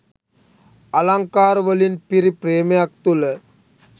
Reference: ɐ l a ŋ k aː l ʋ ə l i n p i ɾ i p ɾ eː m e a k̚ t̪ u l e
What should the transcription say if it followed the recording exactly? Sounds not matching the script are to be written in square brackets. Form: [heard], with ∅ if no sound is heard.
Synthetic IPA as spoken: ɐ l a ŋ k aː [ɾ] ʋ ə l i n p i ɾ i p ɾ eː m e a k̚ t̪ u l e